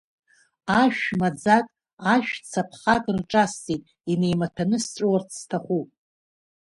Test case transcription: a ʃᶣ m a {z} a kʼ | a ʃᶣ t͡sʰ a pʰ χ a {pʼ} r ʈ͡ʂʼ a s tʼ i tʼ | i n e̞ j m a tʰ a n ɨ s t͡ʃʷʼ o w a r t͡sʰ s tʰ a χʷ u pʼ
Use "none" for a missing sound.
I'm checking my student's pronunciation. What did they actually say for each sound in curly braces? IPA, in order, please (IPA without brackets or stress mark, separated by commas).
d͡z, kʼ